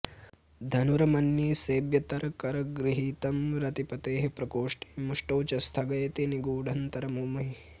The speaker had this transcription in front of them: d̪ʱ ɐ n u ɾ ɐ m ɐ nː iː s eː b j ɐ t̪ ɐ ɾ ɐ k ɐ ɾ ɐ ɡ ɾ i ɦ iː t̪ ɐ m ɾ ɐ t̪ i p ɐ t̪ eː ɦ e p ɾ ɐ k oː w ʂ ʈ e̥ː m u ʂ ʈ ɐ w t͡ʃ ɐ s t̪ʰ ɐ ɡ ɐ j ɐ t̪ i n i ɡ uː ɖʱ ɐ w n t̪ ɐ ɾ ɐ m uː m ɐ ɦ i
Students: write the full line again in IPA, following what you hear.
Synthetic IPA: d̪ʱ ɐ n u ɾ ɐ m ɐ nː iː s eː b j ɐ t̪ ɐ ɾ ɐ k ɐ ɾ ɐ ɡ ɾ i ɦ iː t̪ ɐ m ɾ ɐ t̪ i p ɐ t̪ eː ɦ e p ɾ ɐ k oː ʂ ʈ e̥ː m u ʂ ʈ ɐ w t͡ʃ ɐ s t̪ʰ ɐ ɡ ɐ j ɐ t̪ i n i ɡ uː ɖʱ ɐ n t̪ ɐ ɾ ɐ m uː m ɐ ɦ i

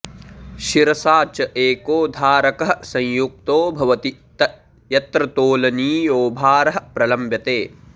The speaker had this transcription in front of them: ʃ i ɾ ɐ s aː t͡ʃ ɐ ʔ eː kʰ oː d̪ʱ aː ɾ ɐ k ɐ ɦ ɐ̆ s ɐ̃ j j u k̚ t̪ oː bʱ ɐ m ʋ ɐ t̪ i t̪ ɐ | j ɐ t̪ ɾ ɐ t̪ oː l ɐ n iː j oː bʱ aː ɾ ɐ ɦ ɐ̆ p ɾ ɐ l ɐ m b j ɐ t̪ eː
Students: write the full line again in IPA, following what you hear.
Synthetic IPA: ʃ i ɾ ɐ s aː t͡ʃ ɐ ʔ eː k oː d̪ʱ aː ɾ ɐ k ɐ ɦ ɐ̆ s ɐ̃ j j u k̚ t̪ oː bʱ ɐ ʋ ɐ t̪ i t̪ ɐ | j ɐ t̪ ɾ ɐ t̪ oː l ɐ n iː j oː bʱ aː ɾ ɐ ɦ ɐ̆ p ɾ ɐ l ɐ m b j ɐ t̪ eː

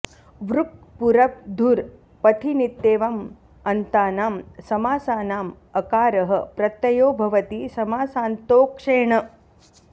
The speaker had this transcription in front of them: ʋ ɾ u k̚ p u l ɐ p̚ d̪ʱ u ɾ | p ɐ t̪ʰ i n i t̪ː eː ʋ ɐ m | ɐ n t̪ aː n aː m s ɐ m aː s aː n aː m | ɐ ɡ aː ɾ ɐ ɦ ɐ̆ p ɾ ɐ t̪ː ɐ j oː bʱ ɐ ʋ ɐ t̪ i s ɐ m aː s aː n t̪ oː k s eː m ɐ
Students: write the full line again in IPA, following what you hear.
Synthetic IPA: ʋ ɾ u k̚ p u ɾ ɐ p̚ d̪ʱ u ɾ | p ɐ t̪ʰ i n i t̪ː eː ʋ ɐ m | ɐ n t̪ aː n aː m s ɐ m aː s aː n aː m | ɐ k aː ɾ ɐ ɦ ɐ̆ p ɾ ɐ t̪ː ɐ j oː bʱ ɐ ʋ ɐ t̪ i s ɐ m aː s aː n t̪ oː k ʂ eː ɳ ɐ

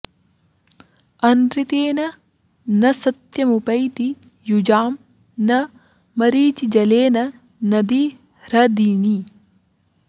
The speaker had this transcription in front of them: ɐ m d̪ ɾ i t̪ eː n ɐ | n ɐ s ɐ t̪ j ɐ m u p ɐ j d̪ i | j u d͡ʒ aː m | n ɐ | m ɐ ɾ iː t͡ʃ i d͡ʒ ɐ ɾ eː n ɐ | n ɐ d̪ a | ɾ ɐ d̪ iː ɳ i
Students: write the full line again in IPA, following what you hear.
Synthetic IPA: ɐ n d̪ ɾ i t̪ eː n ɐ | n ɐ s ɐ t̪ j ɐ m u p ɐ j t̪ i | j u d͡ʒ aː m | n ɐ | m ɐ ɾ iː t͡ʃ i d͡ʒ ɐ l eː n ɐ | n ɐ d̪ i | ɾ ɐ d̪ iː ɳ i

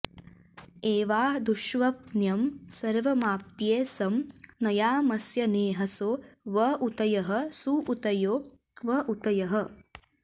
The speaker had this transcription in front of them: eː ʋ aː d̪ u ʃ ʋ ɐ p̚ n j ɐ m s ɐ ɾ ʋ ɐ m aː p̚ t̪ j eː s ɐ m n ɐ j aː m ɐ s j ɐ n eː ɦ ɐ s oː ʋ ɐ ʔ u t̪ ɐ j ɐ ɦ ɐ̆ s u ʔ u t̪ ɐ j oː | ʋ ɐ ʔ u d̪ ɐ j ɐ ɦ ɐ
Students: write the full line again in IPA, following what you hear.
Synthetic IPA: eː ʋ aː d̪ u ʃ ʋ ɐ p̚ n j ɐ m s ɐ ɾ ʋ ɐ m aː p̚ t̪ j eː s ɐ m n ɐ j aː m ɐ s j ɐ n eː ɦ ɐ s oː ʋ ɐ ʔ u t̪ ɐ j ɐ ɦ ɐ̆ s u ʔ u t̪ ɐ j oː | ʋ ɐ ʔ u t̪ ɐ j ɐ ɦ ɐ

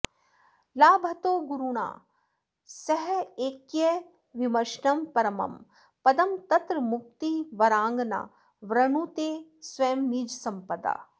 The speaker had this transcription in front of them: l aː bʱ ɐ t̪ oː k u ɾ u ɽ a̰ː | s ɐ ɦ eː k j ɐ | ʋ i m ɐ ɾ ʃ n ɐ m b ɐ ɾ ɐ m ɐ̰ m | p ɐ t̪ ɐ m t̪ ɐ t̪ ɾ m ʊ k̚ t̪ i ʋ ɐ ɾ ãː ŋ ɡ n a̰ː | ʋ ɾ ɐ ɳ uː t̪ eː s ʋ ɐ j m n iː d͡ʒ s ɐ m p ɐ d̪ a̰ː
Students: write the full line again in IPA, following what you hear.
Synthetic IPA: l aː bʱ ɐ t̪ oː ɡ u ɾ u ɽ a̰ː | s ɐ ɦ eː k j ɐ | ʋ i m ɐ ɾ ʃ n ɐ m p ɐ ɾ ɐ m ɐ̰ m | p ɐ d̪ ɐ m t̪ ɐ t̪ ɾ m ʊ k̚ t̪ i ʋ ɐ ɾ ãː ŋ ɡ n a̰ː | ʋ ɾ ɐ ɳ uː t̪ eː s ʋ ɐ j m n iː d͡ʒ s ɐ m p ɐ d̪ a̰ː

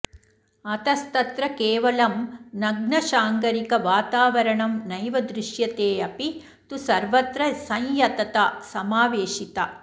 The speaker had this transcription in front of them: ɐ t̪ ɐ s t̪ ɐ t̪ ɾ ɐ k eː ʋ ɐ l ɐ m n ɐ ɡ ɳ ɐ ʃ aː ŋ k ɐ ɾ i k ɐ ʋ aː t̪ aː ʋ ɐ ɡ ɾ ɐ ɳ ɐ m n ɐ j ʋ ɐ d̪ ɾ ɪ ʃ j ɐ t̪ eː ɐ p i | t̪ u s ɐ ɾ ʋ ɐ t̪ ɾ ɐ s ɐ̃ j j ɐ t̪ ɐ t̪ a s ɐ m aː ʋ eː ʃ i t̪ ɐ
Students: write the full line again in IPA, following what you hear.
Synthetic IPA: ɐ t̪ ɐ s t̪ ɐ t̪ ɾ ɐ k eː ʋ ɐ l ɐ m n ɐ ɡ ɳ ɐ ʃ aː ŋ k ɐ ɾ i k ɐ ʋ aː t̪ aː ʋ ɐ ɾ ɐ ɳ ɐ m n ɐ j ʋ ɐ d̪ ɾ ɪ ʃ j ɐ t̪ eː ɐ p i | t̪ u s ɐ ɾ ʋ ɐ t̪ ɾ ɐ s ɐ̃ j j ɐ t̪ ɐ t̪ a s ɐ m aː ʋ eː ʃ i t̪ ɐ

